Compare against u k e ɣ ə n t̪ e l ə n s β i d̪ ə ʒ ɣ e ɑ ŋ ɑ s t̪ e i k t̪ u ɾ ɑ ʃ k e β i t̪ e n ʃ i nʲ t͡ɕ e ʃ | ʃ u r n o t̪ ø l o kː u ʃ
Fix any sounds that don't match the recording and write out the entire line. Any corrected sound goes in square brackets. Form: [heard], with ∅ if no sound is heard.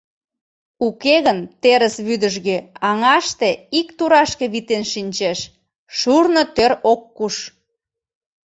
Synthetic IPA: u k e ɣ ə n t̪ e [ɾ] ə [∅] s β [y] d̪ ə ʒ ɣ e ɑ ŋ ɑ [ʃ] t̪ e i k t̪ u ɾ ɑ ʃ k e β i t̪ e n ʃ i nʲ t͡ɕ e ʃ | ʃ u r n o t̪ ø [ɾ] o kː u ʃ